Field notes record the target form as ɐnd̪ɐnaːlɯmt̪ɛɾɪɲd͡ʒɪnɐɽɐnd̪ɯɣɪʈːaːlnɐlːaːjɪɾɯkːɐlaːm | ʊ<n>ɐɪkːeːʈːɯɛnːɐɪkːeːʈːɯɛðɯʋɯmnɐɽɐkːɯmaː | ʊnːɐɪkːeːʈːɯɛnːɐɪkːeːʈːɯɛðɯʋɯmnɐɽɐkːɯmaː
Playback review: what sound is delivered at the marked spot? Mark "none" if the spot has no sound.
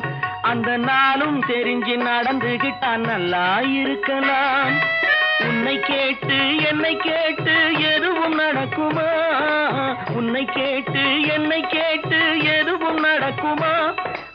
nː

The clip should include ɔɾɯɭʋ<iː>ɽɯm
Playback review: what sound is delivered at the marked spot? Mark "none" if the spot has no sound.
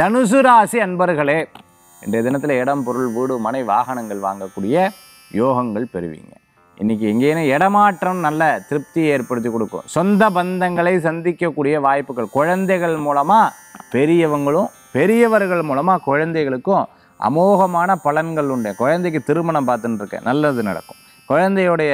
iː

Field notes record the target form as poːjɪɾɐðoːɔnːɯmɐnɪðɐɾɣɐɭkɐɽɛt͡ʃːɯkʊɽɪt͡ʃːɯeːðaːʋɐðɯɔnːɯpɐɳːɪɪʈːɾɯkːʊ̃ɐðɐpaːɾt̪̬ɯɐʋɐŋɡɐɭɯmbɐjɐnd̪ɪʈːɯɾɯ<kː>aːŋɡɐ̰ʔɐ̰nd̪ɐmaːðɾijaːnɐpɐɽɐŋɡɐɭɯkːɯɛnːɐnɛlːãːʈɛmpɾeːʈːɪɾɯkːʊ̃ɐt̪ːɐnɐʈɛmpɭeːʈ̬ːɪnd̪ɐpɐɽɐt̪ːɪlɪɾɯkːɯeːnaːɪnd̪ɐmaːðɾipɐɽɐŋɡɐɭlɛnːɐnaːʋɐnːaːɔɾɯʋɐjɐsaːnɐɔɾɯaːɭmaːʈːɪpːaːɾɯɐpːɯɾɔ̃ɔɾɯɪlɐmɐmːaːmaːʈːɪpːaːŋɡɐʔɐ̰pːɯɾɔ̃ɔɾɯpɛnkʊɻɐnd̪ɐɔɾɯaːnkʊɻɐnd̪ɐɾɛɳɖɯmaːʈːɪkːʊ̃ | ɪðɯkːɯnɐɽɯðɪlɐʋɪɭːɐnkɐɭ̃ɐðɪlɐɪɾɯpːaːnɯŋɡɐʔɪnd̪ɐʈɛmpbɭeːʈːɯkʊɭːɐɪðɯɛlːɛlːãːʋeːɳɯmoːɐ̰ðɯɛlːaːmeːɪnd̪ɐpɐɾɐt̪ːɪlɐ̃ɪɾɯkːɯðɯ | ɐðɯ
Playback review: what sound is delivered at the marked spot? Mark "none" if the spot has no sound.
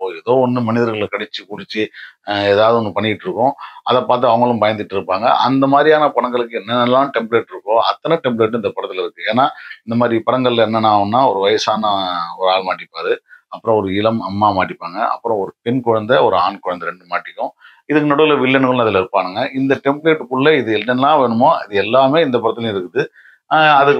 pː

